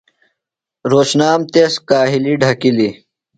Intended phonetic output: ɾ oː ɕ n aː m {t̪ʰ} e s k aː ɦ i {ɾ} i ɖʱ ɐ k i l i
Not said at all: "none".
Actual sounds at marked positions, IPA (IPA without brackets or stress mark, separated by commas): t̪, l